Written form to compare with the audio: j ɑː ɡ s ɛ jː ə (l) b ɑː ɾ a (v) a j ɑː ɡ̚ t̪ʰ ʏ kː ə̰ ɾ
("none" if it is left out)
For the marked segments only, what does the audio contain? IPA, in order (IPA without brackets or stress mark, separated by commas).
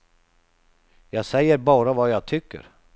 ɾ, v